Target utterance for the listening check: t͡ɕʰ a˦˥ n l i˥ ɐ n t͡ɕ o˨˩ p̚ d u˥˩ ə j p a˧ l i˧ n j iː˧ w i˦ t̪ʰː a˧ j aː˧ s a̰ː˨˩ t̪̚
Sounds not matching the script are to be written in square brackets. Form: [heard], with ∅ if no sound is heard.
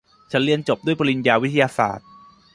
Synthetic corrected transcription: t͡ɕʰ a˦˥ n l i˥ [ə] n t͡ɕ o˨˩ p̚ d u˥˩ ə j p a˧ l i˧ n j [aː˧] w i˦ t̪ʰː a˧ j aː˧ s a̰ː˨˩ t̪̚